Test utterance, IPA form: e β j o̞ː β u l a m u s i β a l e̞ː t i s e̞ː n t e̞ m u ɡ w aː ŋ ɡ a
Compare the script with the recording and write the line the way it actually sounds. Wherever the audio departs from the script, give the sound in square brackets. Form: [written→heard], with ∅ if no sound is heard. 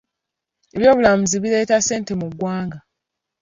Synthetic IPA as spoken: e β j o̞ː β u l a m u [s→z] i β [a→i] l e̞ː t [i→a] s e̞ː n t e̞ m u ɡ w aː ŋ ɡ a

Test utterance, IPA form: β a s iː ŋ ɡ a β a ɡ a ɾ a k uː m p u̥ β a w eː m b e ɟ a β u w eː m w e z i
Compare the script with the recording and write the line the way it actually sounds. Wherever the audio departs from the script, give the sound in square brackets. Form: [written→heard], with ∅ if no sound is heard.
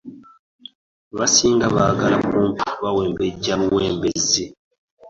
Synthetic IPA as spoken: β a s iː ŋ ɡ a β a ɡ a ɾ a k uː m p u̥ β a w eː m b e ɟ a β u w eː m [w→b] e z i

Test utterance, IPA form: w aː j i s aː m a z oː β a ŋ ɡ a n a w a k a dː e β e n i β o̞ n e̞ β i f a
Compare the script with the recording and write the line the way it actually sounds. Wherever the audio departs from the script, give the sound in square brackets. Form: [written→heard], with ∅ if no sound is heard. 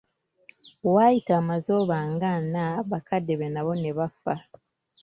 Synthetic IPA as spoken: w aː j i [s→t] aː m a z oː β a ŋ ɡ a n a [w→β] a k a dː e β e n [i→a] β o̞ n e̞ β [i→a] f a

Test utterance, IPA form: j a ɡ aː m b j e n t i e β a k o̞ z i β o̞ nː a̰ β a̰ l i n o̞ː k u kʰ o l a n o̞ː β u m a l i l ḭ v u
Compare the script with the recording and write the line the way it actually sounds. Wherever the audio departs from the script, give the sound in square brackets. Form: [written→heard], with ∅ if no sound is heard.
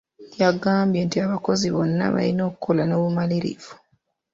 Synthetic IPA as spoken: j a ɡ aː m b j e n t i [e→a] β a k o̞ z i β o̞ nː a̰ β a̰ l i n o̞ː k u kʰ o l a n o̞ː β u m a l i [l→ɾ] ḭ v u

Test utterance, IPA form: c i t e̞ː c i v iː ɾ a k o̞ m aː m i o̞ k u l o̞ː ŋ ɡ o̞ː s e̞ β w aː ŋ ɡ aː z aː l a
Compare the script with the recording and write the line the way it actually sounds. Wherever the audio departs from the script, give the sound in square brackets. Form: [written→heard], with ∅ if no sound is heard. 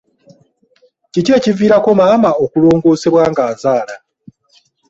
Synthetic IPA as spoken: c i [t→c] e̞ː c i v iː ɾ a k o̞ m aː m [i→a] o̞ k u l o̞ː ŋ ɡ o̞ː s e̞ β w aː ŋ ɡ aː z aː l a

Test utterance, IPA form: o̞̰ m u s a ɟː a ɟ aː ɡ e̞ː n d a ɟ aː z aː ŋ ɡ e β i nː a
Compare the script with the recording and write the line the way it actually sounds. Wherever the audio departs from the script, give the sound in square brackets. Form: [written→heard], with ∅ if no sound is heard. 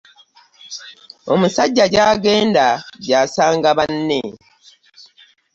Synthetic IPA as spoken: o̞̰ m u s a ɟː a ɟ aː ɡ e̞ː n d a ɟ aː [z→s] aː ŋ ɡ [e→a] β [i→a] nː [a→e]

